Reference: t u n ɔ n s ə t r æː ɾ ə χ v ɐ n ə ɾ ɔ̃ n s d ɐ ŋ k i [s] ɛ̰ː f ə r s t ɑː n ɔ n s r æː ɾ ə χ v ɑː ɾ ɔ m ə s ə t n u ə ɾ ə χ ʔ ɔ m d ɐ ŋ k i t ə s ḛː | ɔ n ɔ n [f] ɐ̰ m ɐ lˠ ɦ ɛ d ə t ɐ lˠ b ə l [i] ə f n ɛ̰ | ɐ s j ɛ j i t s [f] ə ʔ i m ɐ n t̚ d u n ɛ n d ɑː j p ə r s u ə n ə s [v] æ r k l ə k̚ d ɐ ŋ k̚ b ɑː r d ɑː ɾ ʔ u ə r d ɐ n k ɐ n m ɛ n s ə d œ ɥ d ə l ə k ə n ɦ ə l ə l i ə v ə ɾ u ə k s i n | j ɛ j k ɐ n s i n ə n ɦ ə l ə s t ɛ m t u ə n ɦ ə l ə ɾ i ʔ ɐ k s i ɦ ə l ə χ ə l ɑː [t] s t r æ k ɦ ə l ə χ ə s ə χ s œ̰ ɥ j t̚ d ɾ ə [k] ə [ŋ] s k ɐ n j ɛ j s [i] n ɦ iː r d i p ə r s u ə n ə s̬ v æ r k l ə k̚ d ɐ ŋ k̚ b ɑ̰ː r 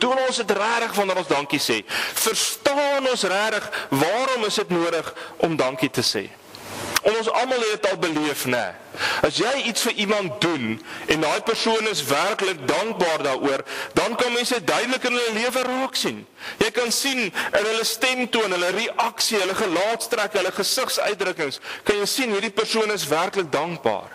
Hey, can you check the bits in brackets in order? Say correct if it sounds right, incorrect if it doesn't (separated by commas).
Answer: correct, incorrect, correct, correct, correct, correct, correct, correct, correct